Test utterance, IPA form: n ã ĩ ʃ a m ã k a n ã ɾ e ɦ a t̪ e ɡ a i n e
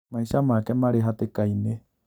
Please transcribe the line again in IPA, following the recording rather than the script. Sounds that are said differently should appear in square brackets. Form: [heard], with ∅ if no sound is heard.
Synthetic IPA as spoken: [m] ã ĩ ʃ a m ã k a [m] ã ɾ e ɦ a t̪ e [k] a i n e